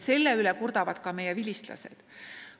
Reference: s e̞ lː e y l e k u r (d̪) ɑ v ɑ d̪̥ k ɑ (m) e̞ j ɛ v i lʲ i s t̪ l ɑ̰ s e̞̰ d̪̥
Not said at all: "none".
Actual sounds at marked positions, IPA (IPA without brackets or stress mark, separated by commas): d̪, m